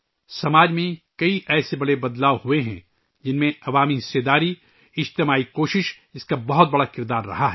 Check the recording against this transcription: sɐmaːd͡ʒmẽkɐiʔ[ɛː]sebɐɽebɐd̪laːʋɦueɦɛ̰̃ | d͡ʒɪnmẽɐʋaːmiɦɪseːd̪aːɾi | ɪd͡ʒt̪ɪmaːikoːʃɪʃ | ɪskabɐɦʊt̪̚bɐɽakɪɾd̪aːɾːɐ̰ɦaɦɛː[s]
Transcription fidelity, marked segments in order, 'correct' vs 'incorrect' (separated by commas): correct, incorrect